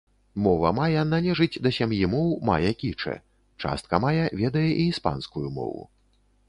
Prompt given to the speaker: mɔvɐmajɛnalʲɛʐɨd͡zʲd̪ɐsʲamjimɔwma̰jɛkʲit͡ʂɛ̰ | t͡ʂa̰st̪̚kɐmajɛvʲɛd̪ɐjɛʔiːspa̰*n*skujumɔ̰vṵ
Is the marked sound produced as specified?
yes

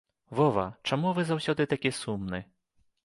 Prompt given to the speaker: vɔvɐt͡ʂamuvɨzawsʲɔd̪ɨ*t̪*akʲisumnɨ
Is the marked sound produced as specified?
yes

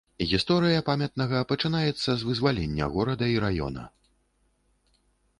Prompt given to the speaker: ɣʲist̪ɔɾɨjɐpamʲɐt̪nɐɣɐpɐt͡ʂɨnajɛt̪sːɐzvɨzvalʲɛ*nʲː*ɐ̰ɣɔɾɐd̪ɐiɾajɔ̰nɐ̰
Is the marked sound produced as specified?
yes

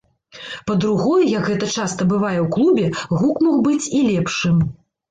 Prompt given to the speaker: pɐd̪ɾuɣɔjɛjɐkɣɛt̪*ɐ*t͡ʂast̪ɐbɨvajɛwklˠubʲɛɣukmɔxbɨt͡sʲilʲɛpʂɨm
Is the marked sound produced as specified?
yes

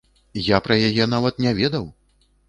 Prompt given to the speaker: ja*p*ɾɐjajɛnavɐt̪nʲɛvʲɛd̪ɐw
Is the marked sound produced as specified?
yes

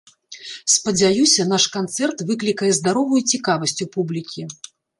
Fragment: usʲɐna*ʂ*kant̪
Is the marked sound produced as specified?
yes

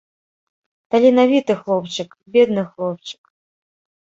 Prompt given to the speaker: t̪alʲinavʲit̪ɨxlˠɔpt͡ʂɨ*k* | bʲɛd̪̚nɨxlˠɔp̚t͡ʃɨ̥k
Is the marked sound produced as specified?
yes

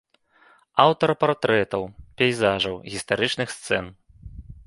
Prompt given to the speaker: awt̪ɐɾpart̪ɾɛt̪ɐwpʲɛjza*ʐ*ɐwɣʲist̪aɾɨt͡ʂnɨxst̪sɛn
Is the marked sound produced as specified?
yes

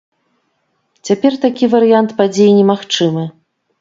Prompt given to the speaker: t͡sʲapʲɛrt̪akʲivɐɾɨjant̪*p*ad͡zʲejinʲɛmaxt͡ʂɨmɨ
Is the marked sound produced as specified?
yes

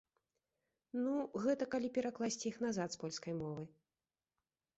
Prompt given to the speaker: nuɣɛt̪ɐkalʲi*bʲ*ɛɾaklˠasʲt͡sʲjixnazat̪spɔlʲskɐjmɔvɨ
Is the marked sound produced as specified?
no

